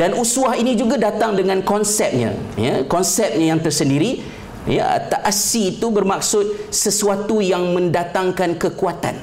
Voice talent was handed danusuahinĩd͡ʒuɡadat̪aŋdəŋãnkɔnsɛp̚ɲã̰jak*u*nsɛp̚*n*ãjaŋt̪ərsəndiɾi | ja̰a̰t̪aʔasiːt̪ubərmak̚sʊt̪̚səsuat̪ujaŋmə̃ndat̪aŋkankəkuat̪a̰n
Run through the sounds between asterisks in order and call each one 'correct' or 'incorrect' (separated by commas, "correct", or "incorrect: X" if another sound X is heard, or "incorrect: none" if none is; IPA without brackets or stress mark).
incorrect: ɔ, incorrect: ɲ